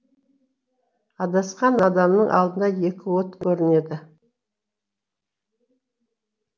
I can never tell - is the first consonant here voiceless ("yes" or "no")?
no